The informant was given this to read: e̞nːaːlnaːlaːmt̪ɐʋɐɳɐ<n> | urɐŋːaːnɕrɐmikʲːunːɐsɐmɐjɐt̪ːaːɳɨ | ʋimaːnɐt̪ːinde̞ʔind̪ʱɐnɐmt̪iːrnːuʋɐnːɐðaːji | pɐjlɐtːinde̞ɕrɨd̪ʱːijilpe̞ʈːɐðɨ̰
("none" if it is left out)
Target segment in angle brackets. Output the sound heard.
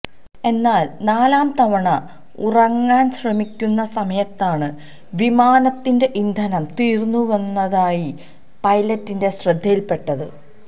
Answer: none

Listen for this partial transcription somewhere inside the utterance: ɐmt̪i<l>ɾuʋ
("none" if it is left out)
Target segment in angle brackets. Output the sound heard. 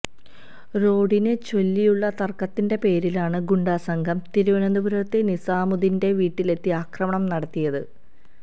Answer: none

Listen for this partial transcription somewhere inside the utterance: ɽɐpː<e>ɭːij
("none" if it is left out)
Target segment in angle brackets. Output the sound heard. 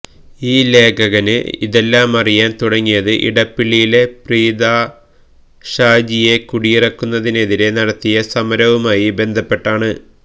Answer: i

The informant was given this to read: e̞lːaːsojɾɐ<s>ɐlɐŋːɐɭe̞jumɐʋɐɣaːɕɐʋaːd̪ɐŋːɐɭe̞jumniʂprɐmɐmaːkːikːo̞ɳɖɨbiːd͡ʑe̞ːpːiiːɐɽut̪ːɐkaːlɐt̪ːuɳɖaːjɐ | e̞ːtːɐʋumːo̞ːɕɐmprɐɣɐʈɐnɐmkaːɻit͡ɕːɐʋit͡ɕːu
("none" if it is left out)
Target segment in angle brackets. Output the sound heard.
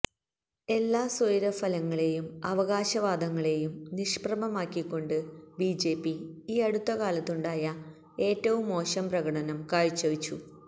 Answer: f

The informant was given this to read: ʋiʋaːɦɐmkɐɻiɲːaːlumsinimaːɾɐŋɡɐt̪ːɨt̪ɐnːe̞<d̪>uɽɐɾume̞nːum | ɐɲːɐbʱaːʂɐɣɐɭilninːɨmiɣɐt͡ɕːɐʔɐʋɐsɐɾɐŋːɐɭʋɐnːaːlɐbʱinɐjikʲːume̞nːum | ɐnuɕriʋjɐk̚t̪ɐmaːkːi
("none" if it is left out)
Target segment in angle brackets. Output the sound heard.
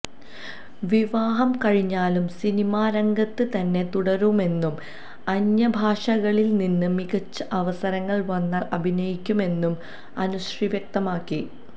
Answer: t̪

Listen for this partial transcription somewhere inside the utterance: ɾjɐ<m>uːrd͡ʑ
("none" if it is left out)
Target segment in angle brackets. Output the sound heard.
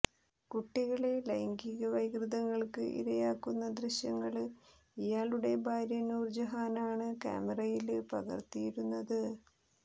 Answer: n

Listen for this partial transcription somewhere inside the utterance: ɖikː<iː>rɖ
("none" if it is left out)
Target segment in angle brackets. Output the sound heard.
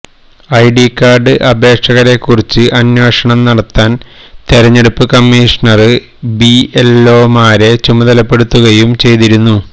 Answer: aː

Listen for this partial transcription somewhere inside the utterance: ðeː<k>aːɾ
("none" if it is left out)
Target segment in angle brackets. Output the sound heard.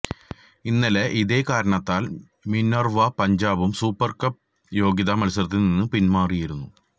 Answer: k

